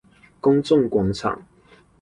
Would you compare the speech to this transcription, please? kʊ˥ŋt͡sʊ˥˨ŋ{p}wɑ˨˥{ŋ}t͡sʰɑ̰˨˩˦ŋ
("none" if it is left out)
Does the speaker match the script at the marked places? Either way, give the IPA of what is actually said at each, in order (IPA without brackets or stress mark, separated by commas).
k, ŋ